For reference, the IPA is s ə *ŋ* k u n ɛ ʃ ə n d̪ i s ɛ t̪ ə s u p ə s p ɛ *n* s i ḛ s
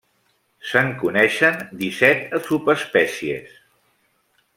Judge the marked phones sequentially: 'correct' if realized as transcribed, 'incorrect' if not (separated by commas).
correct, incorrect